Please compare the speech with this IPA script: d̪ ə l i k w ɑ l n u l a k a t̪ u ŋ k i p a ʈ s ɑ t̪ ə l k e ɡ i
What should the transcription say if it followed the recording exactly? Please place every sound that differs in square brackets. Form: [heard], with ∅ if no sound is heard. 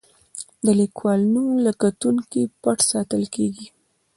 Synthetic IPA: d̪ ə l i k w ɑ l n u l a k a t̪ u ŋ k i p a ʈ s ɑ t̪ ə l k e ɡ i